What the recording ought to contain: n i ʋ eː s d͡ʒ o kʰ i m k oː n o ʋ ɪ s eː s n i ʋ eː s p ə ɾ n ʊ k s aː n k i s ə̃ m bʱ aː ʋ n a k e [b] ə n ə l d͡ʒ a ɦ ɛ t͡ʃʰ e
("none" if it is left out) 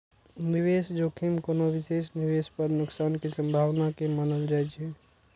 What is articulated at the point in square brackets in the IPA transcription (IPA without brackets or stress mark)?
m